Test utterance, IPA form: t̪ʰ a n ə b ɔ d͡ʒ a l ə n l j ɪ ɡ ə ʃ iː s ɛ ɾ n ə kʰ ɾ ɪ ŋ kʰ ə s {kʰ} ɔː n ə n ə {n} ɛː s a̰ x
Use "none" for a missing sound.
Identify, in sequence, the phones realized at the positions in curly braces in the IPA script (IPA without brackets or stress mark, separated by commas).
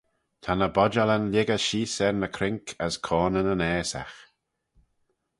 kʰ, n